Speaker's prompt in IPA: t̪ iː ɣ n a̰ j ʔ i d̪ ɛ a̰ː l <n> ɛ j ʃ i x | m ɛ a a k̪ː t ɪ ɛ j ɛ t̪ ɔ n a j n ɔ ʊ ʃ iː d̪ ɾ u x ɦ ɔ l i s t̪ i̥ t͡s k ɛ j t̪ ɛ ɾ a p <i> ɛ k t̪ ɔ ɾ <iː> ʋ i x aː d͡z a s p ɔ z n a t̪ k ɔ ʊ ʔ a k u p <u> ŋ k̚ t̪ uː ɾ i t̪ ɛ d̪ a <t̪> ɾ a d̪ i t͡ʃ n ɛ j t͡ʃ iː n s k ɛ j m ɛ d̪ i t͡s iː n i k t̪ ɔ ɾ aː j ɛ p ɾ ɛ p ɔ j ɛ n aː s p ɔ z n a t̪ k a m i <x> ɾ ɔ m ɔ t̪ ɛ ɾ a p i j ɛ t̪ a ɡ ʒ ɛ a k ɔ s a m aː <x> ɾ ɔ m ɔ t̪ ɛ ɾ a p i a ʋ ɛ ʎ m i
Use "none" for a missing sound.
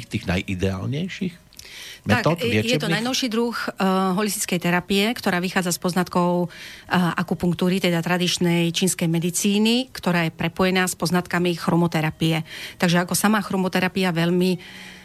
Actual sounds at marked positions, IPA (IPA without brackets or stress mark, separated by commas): ɲ, i, aː, u, t̪, x, x